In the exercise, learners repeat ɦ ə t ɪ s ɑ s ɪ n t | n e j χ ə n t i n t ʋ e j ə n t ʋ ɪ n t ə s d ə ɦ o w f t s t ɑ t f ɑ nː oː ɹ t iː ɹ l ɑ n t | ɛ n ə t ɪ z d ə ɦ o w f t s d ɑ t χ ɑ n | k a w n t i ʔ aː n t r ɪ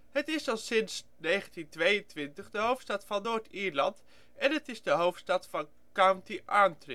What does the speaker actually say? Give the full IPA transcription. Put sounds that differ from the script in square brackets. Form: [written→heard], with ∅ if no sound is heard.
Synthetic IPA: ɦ ə t ɪ s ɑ s ɪ n [t→s] | n e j χ ə n t i n t ʋ e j ə n t ʋ ɪ n t ə [s→χ] d ə ɦ o w f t s t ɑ t f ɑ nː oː ɹ t iː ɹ l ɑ n t | ɛ n ə t ɪ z d ə ɦ o w f t s [d→t] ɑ t [χ→f] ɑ n | k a w n t i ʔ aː n t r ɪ

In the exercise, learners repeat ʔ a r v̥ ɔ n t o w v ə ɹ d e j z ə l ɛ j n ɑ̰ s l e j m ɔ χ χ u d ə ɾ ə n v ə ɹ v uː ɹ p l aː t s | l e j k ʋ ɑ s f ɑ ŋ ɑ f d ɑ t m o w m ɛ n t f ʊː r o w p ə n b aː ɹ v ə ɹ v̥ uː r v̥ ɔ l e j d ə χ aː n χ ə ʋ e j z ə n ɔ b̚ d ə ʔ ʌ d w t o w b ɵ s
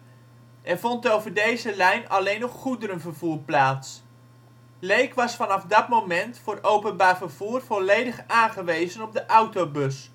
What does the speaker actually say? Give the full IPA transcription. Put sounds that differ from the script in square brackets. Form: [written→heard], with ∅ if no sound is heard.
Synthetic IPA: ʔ [a→ɛ] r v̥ ɔ n t o w v ə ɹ d e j z ə l ɛ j n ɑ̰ [s→∅] l e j [m→n] ɔ χ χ u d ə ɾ ə n v ə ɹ v uː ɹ p l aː t s | l e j k ʋ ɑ s f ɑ [ŋ→n] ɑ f d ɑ t m o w m ɛ n t f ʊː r o w p ə n b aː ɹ v ə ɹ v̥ uː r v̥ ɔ l e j d ə χ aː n χ ə ʋ e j z ə n ɔ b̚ d ə ʔ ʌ [d→∅] w t o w b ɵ s

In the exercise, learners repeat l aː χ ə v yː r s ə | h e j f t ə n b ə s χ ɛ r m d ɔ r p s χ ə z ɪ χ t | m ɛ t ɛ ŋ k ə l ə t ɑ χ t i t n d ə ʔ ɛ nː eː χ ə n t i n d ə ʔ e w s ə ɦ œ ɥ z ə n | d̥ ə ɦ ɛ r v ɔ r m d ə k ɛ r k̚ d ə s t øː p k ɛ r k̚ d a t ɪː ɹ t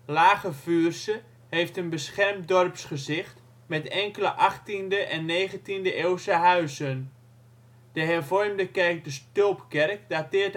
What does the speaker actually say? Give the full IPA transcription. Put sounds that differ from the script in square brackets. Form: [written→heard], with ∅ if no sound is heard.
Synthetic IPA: l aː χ ə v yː r s ə | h e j f t ə n b ə s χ ɛ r m d ɔ r p s χ ə z ɪ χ t | m ɛ t ɛ ŋ k ə l ə [t→ʔ] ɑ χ t i [t→∅] n d ə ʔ ɛ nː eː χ ə n t i n d ə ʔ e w s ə ɦ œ ɥ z ə n | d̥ ə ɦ ɛ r v ɔ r m d ə k ɛ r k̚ d ə s t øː p k ɛ r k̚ d a t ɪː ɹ t

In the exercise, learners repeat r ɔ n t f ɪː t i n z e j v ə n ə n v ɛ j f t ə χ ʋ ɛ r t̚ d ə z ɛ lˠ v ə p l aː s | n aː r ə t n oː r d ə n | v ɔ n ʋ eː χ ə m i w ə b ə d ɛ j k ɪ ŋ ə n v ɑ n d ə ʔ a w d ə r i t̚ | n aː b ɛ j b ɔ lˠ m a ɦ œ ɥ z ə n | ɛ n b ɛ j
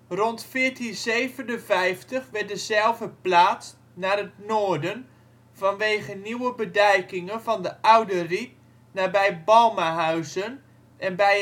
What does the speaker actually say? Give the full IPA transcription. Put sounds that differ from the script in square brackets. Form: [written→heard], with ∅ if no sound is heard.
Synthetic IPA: r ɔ n t f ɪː t i n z e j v ə n ə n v ɛ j f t ə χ ʋ ɛ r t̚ d ə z ɛ lˠ v ə p l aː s | n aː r ə t n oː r d ə n | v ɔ n ʋ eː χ ə [m→n] i w ə b ə d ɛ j k ɪ ŋ ə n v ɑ n d ə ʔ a w d ə r i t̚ | n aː b ɛ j b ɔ lˠ m a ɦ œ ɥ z ə n | ɛ n b ɛ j

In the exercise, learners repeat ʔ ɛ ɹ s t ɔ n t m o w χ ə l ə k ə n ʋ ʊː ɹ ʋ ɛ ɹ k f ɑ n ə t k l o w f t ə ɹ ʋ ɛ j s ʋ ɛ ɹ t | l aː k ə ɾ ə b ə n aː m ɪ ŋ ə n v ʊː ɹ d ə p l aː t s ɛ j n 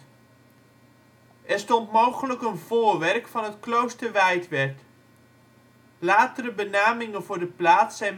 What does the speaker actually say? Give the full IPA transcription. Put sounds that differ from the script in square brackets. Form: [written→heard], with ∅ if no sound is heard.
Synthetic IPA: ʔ ɛ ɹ s t ɔ n t m o w χ ə l ə k ə n [ʋ→v] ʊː ɹ ʋ ɛ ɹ k f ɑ n ə t k l o w [f→s] t ə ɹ ʋ ɛ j [s→t] ʋ ɛ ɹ t | l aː [k→t] ə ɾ ə b ə n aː m ɪ ŋ ə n v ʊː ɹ d ə p l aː t s ɛ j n

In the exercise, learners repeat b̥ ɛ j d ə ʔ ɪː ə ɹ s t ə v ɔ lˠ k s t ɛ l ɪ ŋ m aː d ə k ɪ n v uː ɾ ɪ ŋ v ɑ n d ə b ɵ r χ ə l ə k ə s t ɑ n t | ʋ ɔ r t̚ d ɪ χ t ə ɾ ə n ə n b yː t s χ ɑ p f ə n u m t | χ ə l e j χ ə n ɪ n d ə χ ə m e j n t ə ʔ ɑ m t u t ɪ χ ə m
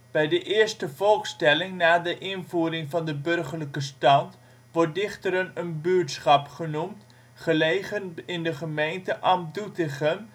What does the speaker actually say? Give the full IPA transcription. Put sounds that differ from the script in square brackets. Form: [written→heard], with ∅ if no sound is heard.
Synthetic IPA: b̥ ɛ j d ə ʔ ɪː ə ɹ s t ə v ɔ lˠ k s t ɛ l ɪ ŋ [m→n] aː d ə [k→ʔ] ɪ n v uː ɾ ɪ ŋ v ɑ n d ə b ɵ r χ ə l ə k ə s t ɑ n t | ʋ ɔ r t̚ d ɪ χ t ə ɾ ə n ə n b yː t s χ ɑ p [f→χ] ə n u m t | χ ə l e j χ ə n ɪ n d ə χ ə m e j n t ə ʔ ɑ m [t→d] u t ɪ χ ə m

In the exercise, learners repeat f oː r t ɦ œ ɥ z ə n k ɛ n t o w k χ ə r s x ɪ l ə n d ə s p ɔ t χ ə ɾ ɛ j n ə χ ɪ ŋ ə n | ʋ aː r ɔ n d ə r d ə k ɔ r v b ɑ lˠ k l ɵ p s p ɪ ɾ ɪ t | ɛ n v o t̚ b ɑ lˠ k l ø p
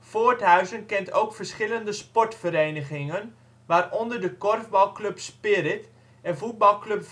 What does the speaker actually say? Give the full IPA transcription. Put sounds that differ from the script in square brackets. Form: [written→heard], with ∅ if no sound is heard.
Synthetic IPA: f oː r t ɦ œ ɥ z ə n k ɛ n t o w k [χ→f] ə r s [x→χ] ɪ l ə n d ə s p ɔ t [χ→f] ə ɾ [ɛ→e] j n ə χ ɪ ŋ ə n | ʋ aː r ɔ n d ə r d ə k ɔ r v b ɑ lˠ k l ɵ p s p ɪ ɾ ɪ t | ɛ n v [o→u] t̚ b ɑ lˠ k l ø p

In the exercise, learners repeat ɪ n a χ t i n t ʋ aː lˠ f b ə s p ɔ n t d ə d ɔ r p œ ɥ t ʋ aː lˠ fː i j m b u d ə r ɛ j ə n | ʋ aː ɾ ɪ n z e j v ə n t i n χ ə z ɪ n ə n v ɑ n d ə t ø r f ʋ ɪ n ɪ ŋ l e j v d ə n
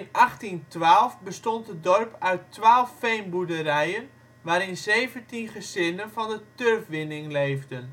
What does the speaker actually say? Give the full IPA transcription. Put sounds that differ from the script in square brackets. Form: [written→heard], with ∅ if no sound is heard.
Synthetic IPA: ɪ n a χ t i n t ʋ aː lˠ f b ə s [p→t] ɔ n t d ə d ɔ r p œ ɥ t ʋ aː lˠ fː [i→e] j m b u d ə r ɛ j ə n | ʋ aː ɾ ɪ n z e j v ə n t i n χ ə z ɪ n ə n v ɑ n d ə t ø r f ʋ ɪ n ɪ ŋ l e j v d ə n

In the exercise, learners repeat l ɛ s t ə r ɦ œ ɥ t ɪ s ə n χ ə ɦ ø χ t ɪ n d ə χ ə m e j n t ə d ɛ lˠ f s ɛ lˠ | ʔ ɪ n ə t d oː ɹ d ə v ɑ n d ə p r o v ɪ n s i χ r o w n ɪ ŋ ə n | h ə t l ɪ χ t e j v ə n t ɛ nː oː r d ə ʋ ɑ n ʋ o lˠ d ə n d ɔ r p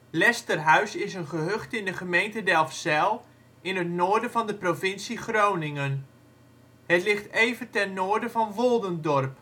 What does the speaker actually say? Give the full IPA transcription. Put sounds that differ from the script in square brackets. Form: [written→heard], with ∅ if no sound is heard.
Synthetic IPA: l ɛ s t ə r ɦ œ ɥ [t→s] ɪ s ə n χ ə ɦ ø χ t ɪ n d ə χ ə m e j n t ə d ɛ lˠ f s ɛ lˠ | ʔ ɪ n ə t [d→n] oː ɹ d ə v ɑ n d ə p r o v ɪ n s i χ r o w n ɪ ŋ ə n | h ə t l ɪ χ t e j v ə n t ɛ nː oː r d ə [ʋ→v] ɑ n ʋ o lˠ d ə n d ɔ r p

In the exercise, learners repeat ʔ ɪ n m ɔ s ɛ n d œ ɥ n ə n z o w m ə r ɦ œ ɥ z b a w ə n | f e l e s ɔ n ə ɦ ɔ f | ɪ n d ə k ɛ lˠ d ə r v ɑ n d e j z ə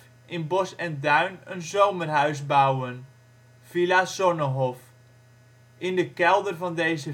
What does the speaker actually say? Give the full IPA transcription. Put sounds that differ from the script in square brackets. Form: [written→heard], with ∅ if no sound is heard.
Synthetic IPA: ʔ ɪ n [m→b] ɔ s ɛ n d œ ɥ n ə n z o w m ə r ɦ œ ɥ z b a w ə n | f [e→i] l [e→a] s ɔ n ə ɦ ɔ f | ɪ n d ə k ɛ lˠ d ə r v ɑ n d e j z ə

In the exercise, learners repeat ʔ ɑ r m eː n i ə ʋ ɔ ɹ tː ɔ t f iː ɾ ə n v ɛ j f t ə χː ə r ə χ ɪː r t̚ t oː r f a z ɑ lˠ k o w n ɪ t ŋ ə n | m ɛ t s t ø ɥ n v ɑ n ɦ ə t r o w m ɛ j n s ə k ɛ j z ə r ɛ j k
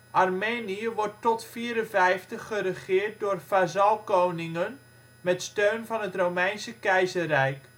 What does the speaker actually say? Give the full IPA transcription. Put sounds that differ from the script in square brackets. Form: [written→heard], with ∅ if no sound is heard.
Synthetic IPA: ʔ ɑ r m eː n i ə ʋ ɔ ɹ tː ɔ t f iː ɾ ə n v ɛ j f t ə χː ə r ə χ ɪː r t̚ [t→d] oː r f a z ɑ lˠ k o w n ɪ [t→∅] ŋ ə n | m ɛ t s t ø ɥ n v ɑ n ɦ ə t r o w m ɛ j n s ə k ɛ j z ə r ɛ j k

